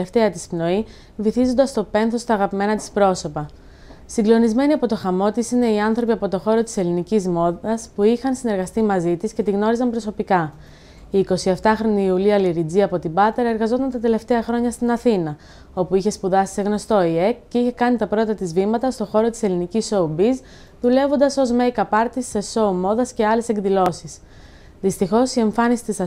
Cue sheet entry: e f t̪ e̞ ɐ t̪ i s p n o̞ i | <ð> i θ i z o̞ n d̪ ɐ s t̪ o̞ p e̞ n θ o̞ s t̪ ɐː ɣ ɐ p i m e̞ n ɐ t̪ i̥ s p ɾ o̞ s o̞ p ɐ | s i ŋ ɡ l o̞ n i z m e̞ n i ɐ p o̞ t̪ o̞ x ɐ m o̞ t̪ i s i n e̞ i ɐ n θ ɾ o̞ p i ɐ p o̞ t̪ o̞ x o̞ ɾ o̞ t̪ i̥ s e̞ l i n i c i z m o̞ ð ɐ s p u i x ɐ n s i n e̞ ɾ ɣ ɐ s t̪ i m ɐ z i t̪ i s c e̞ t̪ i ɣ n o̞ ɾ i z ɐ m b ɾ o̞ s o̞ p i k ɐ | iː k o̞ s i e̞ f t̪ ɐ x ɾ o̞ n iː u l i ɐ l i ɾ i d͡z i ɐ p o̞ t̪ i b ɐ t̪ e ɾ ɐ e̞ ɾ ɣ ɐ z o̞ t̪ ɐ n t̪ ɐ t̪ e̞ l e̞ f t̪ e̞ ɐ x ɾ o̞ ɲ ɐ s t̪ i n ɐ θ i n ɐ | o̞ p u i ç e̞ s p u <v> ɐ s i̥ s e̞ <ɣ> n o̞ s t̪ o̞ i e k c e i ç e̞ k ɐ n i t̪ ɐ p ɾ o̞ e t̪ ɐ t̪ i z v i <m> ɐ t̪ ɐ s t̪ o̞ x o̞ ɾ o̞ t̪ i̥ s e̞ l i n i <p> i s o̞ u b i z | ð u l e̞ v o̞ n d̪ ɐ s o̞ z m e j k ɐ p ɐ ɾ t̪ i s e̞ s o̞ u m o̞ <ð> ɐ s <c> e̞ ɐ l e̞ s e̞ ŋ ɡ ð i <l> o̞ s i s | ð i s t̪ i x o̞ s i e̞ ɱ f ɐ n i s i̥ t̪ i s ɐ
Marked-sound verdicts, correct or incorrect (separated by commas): incorrect, incorrect, correct, correct, incorrect, correct, correct, correct